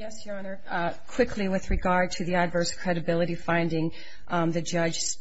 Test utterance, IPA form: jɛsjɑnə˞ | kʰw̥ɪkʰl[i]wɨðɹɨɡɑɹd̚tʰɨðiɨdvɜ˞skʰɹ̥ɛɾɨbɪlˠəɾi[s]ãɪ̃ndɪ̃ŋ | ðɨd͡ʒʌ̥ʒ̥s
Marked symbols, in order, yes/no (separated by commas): yes, no